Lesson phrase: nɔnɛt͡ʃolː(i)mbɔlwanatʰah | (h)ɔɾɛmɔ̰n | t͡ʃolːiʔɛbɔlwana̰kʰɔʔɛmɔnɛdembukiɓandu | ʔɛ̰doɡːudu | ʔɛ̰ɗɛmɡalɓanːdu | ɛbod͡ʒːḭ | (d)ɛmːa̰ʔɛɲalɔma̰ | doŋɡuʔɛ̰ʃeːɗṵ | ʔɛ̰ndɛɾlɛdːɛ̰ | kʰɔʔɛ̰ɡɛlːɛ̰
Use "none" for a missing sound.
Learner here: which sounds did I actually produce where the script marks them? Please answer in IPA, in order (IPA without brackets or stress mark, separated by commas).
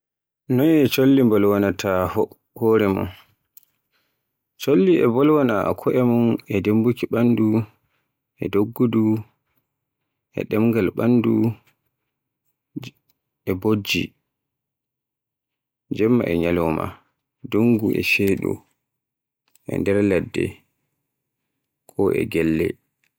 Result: i, h, d͡ʒ